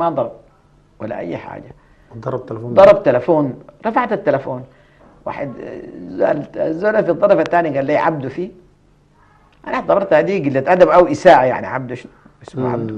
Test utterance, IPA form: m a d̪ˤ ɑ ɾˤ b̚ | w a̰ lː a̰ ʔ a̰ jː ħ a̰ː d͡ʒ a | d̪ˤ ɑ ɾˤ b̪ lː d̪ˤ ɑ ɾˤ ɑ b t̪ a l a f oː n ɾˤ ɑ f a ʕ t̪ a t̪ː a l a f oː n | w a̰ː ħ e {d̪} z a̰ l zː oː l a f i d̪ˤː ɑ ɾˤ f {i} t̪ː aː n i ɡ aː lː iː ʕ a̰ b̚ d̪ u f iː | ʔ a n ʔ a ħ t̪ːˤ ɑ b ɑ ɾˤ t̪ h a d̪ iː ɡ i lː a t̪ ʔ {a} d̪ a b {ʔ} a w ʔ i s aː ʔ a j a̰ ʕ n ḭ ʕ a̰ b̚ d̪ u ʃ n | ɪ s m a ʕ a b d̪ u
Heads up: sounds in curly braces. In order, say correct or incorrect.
correct, incorrect: a, correct, correct

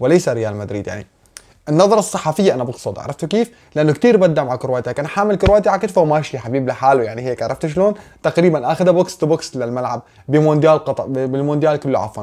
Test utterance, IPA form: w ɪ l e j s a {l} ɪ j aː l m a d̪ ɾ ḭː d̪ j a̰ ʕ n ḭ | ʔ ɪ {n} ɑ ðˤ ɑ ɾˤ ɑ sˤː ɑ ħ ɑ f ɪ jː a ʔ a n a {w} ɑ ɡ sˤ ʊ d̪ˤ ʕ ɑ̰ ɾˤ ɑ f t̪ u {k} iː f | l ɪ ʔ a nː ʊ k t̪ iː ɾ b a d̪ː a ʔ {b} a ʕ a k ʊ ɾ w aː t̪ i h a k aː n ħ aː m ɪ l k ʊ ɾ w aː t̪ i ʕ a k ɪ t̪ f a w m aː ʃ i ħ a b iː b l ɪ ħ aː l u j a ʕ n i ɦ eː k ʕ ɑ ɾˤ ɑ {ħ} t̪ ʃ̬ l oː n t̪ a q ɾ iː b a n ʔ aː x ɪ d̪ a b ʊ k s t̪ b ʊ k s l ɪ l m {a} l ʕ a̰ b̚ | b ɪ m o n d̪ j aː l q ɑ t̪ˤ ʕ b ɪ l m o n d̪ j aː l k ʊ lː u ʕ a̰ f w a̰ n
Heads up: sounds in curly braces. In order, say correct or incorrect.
incorrect: ɾ, incorrect: nː, incorrect: b, correct, incorrect: m, incorrect: f, correct

